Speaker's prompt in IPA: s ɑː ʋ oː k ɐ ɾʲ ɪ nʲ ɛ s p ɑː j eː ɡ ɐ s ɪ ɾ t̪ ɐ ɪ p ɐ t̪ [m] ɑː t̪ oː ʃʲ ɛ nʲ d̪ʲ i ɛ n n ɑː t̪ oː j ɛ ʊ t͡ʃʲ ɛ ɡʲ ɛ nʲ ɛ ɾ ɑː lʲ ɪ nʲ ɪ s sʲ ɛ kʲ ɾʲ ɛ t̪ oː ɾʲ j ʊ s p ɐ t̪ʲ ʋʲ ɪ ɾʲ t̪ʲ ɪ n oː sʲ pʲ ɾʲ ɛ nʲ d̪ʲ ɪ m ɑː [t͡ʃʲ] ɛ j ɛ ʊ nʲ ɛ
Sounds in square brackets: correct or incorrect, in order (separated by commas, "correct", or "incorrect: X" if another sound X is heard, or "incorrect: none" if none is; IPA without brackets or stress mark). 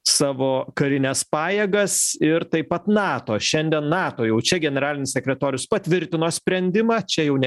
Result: incorrect: n, correct